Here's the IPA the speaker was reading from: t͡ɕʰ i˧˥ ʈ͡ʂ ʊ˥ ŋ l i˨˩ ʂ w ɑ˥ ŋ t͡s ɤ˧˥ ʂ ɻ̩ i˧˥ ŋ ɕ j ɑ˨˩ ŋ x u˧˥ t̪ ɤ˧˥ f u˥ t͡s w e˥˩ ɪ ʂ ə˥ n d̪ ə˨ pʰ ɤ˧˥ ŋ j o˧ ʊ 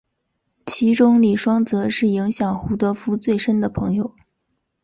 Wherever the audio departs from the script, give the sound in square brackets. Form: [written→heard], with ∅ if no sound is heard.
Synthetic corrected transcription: t͡ɕʰ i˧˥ ʈ͡ʂ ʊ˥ ŋ l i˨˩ ʂ w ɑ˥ ŋ t͡s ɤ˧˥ ʂ ɻ̩ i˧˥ ŋ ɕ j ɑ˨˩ ŋ x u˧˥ t̪ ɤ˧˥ f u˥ t͡s w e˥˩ ɪ ʂ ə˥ n d̪ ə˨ pʰ ɤ˧˥ ŋ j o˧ ʊ